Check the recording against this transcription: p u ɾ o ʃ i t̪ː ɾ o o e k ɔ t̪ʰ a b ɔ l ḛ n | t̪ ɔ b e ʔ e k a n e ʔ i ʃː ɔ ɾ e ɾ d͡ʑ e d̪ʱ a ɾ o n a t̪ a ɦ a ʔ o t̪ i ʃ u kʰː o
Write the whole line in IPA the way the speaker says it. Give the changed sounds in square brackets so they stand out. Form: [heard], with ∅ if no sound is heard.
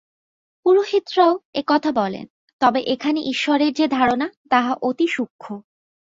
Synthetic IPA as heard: p u ɾ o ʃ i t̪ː ɾ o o e k ɔ t̪ʰ a b ɔ l ḛ n | t̪ ɔ b e ʔ e [kʰ] a n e ʔ i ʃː ɔ ɾ e ɾ d͡ʑ e d̪ʱ a ɾ o n a t̪ a ɦ a ʔ o t̪ i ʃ u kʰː o